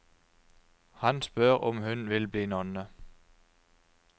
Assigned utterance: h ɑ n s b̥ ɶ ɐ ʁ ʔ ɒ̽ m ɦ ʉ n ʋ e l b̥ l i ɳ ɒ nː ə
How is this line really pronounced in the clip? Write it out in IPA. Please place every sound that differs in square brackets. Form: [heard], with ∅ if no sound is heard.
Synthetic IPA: h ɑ n s b̥ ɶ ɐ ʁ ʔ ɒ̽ m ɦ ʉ n ʋ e l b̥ l i [n] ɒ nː ə